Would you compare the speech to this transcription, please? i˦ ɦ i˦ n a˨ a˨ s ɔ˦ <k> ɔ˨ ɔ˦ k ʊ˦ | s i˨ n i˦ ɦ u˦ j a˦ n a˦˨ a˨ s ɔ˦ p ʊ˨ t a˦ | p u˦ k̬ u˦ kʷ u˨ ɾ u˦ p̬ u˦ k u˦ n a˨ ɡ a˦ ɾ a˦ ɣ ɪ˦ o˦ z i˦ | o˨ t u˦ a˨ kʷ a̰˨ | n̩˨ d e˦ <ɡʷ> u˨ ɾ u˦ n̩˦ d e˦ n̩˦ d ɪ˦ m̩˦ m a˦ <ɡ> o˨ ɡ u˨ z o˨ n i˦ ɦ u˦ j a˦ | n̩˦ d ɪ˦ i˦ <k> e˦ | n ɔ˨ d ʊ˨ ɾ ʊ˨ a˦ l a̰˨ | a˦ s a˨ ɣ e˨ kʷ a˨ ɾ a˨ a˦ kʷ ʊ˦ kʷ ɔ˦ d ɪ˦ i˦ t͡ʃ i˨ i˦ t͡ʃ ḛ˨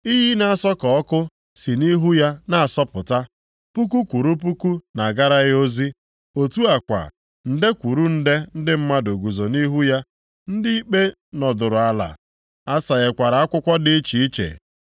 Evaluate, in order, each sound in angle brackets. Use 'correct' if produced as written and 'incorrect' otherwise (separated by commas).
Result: correct, incorrect, incorrect, incorrect